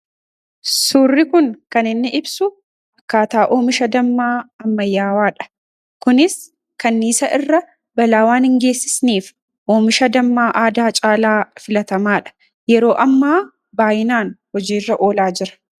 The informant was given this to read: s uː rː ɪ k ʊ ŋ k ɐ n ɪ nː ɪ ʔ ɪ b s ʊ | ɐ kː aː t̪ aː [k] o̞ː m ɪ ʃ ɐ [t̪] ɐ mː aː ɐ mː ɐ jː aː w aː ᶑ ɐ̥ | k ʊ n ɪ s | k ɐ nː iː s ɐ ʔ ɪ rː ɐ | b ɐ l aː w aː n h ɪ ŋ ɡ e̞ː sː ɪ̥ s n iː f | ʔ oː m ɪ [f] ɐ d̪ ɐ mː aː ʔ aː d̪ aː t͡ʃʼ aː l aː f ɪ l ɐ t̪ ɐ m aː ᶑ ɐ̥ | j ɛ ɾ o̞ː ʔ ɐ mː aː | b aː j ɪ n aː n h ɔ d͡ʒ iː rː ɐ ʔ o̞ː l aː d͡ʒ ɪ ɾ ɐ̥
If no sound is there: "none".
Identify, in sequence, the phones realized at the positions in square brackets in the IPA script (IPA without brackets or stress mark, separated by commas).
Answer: ʔ, d̪, ʃ